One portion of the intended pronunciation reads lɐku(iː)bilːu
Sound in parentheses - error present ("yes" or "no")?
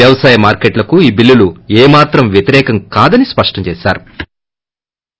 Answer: no